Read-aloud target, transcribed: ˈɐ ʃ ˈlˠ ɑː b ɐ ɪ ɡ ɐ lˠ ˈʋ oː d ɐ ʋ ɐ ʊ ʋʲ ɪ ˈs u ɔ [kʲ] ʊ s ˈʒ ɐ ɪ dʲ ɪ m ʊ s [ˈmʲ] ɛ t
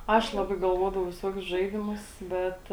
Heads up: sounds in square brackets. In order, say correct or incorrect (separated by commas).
correct, incorrect